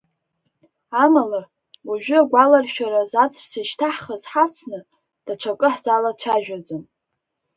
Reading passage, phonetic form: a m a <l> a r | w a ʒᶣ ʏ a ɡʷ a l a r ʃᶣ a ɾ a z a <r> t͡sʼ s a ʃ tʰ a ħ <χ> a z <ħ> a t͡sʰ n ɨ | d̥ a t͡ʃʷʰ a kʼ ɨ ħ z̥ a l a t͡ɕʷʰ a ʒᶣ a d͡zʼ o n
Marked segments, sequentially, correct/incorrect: correct, incorrect, correct, correct

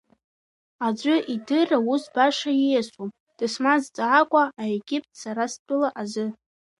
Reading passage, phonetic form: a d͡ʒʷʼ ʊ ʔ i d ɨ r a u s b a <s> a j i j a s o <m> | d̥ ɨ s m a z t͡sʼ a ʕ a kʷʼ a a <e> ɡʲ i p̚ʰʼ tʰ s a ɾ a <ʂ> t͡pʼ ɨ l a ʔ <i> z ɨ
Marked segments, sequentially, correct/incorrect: incorrect, correct, correct, incorrect, incorrect

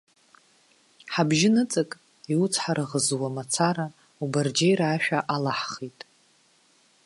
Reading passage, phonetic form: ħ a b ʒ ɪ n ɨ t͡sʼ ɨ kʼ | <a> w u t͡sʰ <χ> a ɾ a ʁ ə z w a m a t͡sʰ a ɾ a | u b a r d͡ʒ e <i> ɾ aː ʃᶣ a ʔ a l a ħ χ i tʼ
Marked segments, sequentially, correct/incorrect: incorrect, incorrect, incorrect

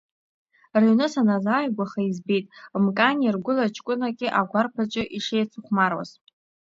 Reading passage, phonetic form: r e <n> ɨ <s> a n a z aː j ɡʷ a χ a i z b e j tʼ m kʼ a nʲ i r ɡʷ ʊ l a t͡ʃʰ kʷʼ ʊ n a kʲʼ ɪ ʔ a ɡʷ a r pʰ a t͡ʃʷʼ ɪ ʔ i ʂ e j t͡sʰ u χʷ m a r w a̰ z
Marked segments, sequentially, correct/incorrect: correct, correct

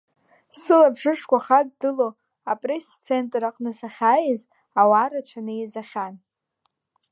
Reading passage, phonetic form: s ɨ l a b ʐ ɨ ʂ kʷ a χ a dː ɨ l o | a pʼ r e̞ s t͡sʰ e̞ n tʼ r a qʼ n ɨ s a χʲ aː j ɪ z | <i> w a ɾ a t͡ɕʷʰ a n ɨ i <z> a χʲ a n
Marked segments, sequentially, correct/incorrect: incorrect, correct

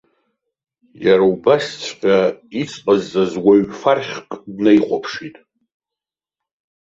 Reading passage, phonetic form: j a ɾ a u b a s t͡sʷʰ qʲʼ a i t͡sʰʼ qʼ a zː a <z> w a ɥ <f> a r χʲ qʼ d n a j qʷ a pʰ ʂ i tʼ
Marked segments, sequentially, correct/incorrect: correct, correct

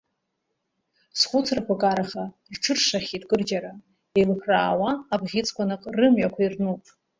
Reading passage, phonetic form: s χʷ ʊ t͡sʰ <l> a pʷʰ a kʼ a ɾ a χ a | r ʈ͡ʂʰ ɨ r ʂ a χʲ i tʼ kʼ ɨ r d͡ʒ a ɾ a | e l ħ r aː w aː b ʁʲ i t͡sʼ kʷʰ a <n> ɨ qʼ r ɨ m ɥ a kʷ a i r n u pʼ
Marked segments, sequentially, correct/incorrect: incorrect, correct

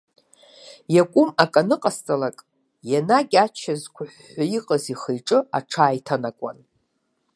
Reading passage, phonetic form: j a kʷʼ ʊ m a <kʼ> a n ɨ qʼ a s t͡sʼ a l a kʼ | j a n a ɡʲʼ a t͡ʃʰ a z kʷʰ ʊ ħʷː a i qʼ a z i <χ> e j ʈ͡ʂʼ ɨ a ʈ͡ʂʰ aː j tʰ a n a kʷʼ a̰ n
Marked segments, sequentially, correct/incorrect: correct, correct

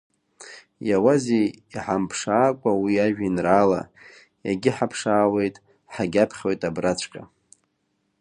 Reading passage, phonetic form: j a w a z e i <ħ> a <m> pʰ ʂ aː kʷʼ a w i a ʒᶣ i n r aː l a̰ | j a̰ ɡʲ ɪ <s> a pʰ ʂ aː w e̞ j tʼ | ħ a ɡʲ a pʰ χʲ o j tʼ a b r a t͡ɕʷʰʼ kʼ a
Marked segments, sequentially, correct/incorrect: correct, correct, incorrect

